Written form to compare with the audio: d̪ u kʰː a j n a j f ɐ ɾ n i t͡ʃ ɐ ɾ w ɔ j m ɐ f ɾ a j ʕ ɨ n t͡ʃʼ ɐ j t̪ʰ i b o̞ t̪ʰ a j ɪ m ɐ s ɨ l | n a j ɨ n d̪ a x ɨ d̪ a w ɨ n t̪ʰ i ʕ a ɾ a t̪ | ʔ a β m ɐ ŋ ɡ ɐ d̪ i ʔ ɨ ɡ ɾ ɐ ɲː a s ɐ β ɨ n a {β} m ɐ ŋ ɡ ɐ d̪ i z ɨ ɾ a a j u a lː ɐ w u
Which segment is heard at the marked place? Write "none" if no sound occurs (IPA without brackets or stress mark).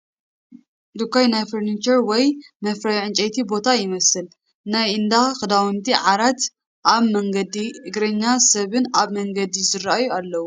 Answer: β